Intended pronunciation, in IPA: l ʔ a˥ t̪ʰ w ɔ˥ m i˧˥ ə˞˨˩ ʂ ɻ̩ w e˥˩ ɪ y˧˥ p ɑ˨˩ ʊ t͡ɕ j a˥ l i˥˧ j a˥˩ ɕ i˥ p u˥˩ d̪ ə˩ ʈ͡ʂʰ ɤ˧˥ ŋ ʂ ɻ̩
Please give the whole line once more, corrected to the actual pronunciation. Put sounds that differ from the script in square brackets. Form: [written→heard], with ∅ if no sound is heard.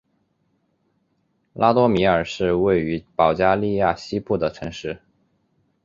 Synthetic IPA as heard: l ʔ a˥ [t̪ʰ→t̪] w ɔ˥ m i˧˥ ə˞˨˩ ʂ ɻ̩ w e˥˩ ɪ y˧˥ p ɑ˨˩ ʊ t͡ɕ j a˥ l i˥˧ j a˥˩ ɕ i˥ p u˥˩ d̪ ə˩ ʈ͡ʂʰ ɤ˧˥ ŋ ʂ ɻ̩